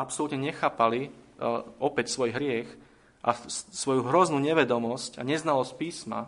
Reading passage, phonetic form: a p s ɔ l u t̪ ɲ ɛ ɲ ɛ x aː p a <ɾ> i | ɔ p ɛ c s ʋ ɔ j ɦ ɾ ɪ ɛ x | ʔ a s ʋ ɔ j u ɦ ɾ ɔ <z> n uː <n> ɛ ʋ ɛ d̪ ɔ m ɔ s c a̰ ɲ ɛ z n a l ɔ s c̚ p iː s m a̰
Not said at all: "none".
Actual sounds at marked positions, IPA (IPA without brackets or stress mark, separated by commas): l, z, ɲ